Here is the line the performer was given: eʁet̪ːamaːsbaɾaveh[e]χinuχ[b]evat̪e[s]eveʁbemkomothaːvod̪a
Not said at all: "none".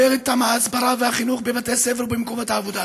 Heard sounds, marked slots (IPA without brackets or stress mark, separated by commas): a, b, s